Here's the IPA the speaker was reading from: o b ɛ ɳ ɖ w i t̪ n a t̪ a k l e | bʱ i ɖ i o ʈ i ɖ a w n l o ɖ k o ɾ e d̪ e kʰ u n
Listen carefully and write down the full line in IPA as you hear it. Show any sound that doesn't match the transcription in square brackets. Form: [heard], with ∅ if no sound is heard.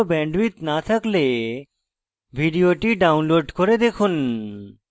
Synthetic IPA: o b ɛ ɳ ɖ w i t̪ n a [t̪ʰ] a k l e | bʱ i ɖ i o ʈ i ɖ a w n l o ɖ k o ɾ e d̪ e kʰ u n